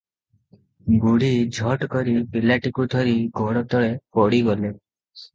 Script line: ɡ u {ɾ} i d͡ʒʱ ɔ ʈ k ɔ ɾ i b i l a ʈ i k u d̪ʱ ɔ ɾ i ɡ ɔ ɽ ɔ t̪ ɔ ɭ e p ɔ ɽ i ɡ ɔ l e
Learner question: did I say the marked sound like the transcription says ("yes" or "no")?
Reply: no